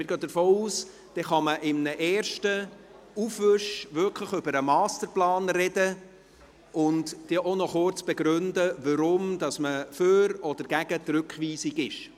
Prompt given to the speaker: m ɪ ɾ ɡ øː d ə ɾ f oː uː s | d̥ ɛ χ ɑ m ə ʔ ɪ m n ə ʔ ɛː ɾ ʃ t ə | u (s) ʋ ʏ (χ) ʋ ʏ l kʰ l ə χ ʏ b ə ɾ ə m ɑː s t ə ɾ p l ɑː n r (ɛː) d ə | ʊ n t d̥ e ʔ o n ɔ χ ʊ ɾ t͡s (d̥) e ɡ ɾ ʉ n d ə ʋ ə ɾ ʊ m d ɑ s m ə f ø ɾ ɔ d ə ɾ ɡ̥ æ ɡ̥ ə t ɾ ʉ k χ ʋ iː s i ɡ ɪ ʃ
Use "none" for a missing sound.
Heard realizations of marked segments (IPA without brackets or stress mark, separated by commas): f, ʃ, ɛ, b̥